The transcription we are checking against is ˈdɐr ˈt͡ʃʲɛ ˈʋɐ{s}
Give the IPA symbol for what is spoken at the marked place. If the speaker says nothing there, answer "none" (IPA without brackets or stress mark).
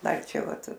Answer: t